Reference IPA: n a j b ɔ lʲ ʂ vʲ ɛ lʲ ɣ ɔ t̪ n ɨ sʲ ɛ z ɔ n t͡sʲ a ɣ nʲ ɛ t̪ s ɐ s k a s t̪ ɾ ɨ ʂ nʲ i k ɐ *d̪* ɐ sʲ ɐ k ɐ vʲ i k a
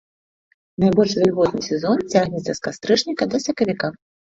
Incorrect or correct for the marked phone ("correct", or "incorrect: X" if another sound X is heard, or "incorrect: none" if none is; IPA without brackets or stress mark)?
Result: correct